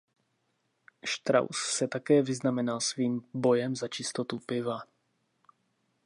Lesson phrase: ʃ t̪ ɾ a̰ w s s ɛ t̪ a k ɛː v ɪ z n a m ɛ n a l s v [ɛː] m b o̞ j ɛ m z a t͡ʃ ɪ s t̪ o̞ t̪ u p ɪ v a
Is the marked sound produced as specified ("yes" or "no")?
no